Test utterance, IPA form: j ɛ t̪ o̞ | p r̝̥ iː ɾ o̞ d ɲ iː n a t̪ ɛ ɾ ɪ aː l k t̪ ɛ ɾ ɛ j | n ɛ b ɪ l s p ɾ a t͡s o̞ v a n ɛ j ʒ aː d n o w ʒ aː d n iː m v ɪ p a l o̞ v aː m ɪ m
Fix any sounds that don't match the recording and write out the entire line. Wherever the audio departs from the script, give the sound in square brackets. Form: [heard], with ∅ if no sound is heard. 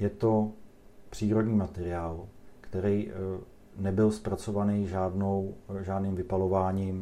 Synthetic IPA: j ɛ t̪ o̞ | p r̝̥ iː ɾ o̞ d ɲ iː [m] a t̪ ɛ ɾ ɪ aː l k t̪ ɛ ɾ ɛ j | n ɛ b ɪ l s p ɾ a t͡s o̞ v a n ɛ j ʒ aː d n o w ʒ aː d n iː m v ɪ p a l o̞ v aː [ɲ] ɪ m